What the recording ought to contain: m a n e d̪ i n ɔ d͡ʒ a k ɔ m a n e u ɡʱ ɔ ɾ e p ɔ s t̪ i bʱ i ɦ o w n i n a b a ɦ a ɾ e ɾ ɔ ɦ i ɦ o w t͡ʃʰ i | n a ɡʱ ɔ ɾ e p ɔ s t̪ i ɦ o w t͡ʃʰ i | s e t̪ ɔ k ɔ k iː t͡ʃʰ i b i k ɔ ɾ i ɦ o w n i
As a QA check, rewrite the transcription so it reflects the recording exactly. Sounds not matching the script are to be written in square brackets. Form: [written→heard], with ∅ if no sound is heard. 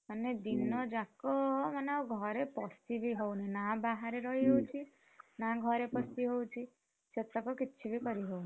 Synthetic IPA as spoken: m a n e d̪ i n ɔ d͡ʒ a k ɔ m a n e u ɡʱ ɔ ɾ e p ɔ s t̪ i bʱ i ɦ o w n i n a b a ɦ a ɾ e ɾ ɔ ɦ i ɦ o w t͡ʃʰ i | n a ɡʱ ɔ ɾ e p ɔ s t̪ i ɦ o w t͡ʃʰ i | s e t̪ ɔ k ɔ k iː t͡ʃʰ i b i k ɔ ɾ i ɦ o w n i